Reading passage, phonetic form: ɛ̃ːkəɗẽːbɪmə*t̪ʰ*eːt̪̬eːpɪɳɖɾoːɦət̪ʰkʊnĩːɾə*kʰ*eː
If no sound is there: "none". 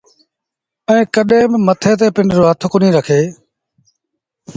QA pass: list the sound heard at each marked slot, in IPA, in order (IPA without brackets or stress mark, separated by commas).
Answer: t̪ʰ, kʰ